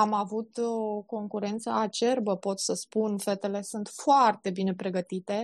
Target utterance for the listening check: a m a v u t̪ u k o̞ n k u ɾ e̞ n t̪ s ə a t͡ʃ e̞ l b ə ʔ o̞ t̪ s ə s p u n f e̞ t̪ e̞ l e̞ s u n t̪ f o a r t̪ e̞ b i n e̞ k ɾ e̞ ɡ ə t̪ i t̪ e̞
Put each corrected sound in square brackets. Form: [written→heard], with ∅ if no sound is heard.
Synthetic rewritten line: a m a v u t̪ [u→o] k o̞ [n→ŋ] k u ɾ e̞ n t̪ s ə a t͡ʃ e̞ [l→r] b ə [ʔ→p] o̞ t̪ s ə s p u n f e̞ t̪ e̞ l e̞ s u n t̪ f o a r t̪ e̞ b i n e̞ [k→p] ɾ e̞ ɡ ə t̪ i t̪ e̞